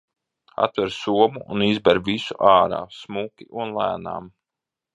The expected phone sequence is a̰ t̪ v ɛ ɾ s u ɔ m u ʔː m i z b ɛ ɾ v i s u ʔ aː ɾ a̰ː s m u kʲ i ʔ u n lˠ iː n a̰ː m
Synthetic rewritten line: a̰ t̪ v ɛ ɾ s u ɔ m u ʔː n i z b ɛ ɾ v i s u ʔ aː ɾ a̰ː s m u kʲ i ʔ u n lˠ æː n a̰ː m